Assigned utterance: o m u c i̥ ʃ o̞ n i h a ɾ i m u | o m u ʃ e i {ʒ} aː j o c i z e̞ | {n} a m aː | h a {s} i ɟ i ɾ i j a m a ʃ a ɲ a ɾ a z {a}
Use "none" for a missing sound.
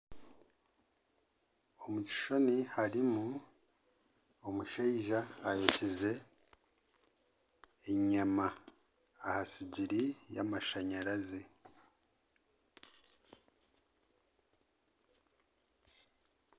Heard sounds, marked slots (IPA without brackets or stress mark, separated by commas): ʒ, ɲ, s, e